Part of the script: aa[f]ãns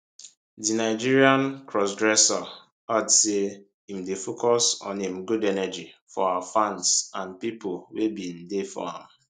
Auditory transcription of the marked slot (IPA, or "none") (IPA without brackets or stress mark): f